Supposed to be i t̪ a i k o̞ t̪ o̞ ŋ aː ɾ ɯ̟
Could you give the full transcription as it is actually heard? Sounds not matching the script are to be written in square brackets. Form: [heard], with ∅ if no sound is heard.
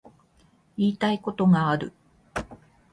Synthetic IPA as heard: [iː] t̪ a i k o̞ t̪ o̞ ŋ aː ɾ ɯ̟